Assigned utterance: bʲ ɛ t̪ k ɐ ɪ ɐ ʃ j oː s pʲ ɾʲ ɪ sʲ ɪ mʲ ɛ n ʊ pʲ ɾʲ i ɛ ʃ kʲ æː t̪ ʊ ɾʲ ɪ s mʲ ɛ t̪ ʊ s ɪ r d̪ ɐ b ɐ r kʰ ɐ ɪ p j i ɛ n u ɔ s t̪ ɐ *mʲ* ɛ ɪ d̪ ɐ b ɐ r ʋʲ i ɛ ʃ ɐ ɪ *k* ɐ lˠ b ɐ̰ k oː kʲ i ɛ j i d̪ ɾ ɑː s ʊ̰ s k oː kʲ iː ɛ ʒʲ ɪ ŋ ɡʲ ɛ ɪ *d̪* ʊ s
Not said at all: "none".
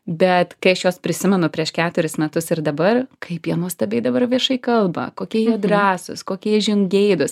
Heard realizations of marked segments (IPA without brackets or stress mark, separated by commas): bʲ, k, d̪